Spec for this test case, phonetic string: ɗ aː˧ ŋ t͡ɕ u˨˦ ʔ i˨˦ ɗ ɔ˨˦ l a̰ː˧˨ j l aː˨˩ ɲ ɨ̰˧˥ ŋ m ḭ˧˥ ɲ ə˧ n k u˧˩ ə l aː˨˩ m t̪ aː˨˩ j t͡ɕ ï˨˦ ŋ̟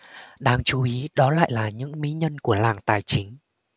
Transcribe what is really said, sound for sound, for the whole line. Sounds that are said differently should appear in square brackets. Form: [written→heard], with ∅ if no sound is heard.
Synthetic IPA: ɗ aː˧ ŋ t͡ɕ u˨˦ ʔ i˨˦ ɗ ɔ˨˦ l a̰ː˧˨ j l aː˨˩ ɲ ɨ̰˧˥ ŋ m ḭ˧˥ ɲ ə˧ n k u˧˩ ə l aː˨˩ [m→ŋ] t̪ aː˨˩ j t͡ɕ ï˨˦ ŋ̟

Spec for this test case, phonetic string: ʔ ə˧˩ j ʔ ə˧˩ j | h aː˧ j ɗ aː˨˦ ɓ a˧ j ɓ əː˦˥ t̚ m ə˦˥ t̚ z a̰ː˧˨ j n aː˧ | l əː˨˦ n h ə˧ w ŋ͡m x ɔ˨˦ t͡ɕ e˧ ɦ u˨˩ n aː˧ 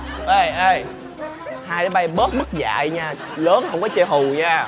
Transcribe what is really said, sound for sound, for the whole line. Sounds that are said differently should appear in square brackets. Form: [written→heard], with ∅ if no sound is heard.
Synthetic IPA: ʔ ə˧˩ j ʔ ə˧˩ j | h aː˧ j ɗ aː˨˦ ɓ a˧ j ɓ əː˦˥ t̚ m ə˦˥ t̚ z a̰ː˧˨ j [n→ɲ] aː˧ | l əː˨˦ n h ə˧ w ŋ͡m [x→k] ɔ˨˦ t͡ɕ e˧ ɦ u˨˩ [n→ɲ] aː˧

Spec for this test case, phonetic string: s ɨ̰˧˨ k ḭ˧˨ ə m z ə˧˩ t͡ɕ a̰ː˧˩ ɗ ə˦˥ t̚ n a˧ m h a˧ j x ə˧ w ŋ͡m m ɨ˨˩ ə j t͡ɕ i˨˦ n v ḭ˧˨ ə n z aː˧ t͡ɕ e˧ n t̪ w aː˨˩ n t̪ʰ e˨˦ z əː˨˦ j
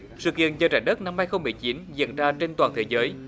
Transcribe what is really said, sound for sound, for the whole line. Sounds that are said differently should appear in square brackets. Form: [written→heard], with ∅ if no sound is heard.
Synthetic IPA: s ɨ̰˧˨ k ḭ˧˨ ə [m→n] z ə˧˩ t͡ɕ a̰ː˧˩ ɗ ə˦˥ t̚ n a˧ m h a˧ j x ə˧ w ŋ͡m m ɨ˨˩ ə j t͡ɕ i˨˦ n [v→z] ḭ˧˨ ə n z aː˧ t͡ɕ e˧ n t̪ w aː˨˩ n t̪ʰ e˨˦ z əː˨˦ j

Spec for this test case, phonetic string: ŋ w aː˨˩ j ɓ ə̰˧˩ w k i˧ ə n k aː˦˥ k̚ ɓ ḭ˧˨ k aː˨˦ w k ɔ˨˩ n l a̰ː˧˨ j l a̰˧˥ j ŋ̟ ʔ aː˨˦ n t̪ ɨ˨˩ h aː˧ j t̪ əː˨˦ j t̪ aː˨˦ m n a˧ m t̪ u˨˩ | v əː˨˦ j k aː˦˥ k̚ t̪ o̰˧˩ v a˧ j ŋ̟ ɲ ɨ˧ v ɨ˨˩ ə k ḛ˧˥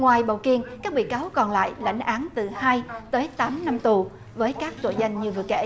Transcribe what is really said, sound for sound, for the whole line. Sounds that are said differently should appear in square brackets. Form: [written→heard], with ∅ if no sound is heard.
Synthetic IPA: ŋ w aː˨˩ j ɓ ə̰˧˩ w k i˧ ə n k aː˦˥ k̚ ɓ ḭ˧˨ k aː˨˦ w k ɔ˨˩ n l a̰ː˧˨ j l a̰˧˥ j ŋ̟ ʔ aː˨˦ n t̪ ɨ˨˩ h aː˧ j t̪ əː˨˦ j t̪ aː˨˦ m n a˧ m t̪ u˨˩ | v əː˨˦ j k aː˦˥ k̚ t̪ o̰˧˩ [v→z] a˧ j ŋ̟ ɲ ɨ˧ v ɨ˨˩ ə k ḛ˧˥

